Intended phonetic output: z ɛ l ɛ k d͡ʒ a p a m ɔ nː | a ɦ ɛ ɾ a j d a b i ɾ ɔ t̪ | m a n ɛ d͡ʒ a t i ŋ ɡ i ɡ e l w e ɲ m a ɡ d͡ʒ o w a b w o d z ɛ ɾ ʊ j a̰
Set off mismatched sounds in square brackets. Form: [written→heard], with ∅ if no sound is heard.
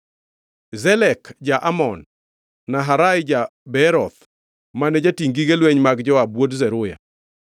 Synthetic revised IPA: z ɛ l ɛ k d͡ʒ a [p→ʔ] a m ɔ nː | a ɦ [ɛ→a] ɾ a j [d→d͡ʒ] a b [i→ɛ] ɾ ɔ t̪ | m a n ɛ d͡ʒ a t i ŋ ɡ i ɡ e l w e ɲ m a ɡ d͡ʒ [o→ɔ] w a b w o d z ɛ ɾ ʊ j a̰